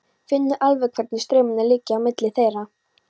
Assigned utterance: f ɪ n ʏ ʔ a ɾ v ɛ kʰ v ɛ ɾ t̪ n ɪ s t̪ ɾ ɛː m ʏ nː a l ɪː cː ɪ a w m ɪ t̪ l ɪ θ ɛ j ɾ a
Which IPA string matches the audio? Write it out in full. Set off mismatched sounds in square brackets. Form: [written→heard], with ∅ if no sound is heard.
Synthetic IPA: f ɪ [n→nː] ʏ ʔ a [ɾ→l] v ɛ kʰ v ɛ ɾ t̪ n ɪ s t̪ ɾ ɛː m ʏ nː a l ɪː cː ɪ a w m ɪ t̪ l ɪ θ [ɛ→e] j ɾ a